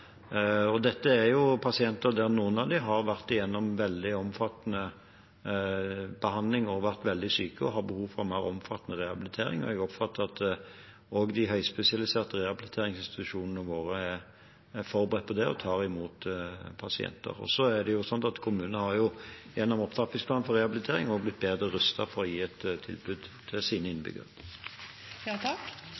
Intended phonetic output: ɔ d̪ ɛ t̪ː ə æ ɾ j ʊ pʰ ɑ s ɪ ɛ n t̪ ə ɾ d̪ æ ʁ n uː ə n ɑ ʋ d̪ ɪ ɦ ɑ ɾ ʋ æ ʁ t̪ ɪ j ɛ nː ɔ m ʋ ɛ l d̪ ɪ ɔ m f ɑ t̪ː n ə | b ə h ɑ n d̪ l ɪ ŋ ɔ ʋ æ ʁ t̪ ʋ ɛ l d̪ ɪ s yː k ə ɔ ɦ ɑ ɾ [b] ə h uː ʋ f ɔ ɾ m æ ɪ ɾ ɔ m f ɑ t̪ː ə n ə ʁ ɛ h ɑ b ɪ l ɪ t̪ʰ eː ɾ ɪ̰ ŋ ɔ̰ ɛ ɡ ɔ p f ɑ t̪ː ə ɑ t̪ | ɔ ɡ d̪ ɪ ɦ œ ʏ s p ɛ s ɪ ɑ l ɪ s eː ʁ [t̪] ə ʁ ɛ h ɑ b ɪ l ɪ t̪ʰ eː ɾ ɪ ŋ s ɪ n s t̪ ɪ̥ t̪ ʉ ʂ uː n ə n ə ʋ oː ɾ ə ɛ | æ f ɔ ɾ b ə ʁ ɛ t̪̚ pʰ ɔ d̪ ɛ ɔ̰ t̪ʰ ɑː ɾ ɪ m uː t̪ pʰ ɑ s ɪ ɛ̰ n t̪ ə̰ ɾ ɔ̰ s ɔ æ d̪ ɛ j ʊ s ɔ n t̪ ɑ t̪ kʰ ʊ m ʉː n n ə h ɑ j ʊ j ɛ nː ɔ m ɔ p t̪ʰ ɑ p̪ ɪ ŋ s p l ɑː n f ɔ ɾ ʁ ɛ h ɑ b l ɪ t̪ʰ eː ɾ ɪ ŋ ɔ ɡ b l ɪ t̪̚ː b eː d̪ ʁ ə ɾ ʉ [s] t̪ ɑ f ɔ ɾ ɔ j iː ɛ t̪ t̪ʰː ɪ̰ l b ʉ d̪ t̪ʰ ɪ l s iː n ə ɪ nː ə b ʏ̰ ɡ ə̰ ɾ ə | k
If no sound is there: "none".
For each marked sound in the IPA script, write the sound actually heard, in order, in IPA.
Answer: b, t̪, s

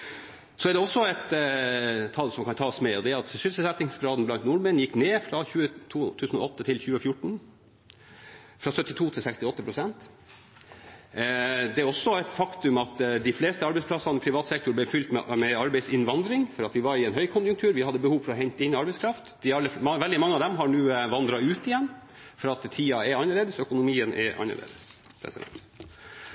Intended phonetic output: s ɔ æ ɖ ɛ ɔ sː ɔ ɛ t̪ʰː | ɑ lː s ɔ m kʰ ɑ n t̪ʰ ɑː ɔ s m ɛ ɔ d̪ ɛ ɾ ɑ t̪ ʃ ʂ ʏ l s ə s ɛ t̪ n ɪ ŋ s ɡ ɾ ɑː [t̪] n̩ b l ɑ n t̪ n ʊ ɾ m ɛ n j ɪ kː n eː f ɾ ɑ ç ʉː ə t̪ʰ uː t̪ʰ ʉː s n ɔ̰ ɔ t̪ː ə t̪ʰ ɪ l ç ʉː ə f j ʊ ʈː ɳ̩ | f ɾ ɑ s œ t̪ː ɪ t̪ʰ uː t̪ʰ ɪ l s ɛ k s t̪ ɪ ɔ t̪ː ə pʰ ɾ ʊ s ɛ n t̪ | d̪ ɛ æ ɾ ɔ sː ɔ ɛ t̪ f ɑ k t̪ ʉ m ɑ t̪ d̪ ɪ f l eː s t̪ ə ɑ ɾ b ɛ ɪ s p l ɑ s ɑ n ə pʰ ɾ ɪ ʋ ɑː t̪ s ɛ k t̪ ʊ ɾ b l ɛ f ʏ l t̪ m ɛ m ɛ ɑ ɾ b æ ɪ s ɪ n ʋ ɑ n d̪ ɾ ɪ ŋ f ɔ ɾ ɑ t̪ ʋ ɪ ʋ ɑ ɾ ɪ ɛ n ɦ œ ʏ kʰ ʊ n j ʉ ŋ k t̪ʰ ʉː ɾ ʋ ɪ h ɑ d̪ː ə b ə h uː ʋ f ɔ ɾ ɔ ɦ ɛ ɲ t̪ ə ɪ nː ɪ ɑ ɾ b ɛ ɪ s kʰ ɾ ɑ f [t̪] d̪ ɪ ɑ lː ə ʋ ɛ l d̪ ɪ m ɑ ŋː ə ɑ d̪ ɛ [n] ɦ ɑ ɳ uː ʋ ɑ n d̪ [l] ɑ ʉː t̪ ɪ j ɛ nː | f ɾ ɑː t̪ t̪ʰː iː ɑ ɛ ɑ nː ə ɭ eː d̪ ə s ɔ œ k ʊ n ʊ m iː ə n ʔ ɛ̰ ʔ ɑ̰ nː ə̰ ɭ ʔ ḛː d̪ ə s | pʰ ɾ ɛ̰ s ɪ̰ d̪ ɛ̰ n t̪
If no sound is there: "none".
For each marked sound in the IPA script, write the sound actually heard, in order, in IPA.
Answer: d̪, t̪, m, ɾ

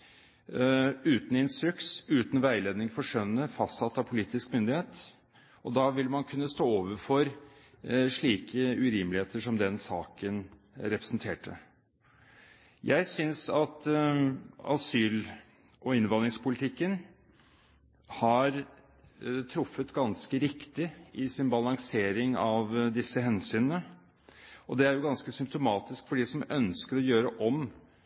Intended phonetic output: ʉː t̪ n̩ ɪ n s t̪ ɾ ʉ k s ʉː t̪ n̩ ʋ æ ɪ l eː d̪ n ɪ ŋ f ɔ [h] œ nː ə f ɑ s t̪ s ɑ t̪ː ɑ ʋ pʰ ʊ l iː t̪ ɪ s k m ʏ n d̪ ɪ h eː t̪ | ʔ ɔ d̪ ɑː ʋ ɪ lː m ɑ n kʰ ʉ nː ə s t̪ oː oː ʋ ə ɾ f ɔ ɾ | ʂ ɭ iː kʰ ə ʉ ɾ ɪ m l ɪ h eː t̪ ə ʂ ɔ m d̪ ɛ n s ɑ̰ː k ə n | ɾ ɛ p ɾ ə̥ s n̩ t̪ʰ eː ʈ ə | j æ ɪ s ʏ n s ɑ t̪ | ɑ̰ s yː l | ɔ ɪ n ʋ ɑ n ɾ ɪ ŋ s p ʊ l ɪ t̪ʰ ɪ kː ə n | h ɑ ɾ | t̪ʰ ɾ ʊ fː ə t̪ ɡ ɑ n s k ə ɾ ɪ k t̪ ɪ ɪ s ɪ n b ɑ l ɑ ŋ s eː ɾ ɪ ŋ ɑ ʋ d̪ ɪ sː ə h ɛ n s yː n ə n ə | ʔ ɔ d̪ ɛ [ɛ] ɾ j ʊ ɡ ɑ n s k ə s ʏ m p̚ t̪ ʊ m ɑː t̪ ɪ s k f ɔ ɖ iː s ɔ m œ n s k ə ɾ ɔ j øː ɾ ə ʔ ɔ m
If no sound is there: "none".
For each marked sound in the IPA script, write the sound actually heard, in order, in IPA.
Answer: ʂ, æ

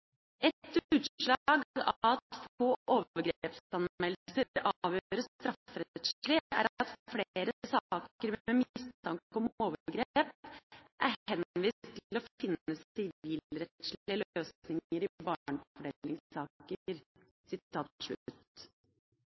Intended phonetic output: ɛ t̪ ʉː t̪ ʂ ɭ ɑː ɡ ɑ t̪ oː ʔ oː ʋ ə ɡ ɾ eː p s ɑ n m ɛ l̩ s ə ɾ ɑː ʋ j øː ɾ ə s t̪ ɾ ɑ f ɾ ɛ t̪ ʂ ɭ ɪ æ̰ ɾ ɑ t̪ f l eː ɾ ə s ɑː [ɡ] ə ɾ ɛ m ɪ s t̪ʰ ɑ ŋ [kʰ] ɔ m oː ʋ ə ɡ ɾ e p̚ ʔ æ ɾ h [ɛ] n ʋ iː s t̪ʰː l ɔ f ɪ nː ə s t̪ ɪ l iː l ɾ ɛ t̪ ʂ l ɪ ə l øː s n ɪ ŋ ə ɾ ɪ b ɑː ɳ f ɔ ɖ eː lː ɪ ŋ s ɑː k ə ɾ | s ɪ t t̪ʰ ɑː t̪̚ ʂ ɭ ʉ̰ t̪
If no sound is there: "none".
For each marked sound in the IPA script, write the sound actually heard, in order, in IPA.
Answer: k, k, ɛ

